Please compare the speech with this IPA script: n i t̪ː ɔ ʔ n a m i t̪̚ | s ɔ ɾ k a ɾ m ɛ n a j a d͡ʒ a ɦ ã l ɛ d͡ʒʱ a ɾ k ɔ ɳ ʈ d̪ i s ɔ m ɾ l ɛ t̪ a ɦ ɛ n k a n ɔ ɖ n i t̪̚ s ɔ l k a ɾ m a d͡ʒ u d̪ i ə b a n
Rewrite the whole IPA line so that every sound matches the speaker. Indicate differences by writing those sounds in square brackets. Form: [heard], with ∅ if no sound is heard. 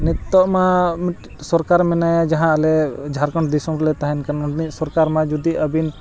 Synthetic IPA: n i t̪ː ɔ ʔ [m] a m i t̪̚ | s ɔ ɾ k a ɾ m ɛ n a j a d͡ʒ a ɦ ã l ɛ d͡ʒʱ a ɾ k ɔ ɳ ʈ d̪ i s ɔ m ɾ l ɛ t̪ a ɦ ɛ n k a n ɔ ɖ n i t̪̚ s ɔ [ɾ] k a ɾ m a d͡ʒ u d̪ i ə b [i] n